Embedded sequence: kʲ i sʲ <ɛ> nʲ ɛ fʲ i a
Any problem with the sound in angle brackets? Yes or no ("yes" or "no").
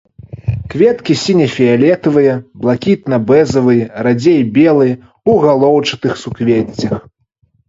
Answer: yes